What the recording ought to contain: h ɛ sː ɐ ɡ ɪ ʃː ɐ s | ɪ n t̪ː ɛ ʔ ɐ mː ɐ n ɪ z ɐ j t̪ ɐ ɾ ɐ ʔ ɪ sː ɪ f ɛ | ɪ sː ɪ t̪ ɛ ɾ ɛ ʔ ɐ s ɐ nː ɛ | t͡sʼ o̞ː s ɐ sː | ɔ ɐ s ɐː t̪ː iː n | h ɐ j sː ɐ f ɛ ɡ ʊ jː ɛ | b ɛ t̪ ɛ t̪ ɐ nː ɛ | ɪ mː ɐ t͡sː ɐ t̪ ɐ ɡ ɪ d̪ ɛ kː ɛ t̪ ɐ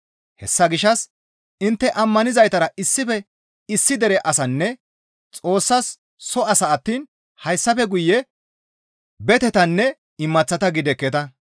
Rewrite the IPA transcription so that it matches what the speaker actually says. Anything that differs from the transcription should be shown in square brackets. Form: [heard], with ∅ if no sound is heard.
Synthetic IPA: h ɛ sː ɐ ɡ ɪ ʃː ɐ s | ɪ n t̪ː ɛ ʔ ɐ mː ɐ n ɪ z ɐ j t̪ ɐ ɾ ɐ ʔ ɪ sː ɪ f ɛ | ɪ sː ɪ [d̪] ɛ ɾ ɛ ʔ ɐ s ɐ nː ɛ | t͡sʼ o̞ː [sː] ɐ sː | ɔ ɐ s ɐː t̪ː iː n | h ɐ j sː ɐ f ɛ ɡ ʊ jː ɛ | b ɛ t̪ ɛ t̪ ɐ nː ɛ | ɪ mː ɐ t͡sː ɐ t̪ ɐ ɡ ɪ d̪ ɛ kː ɛ t̪ ɐ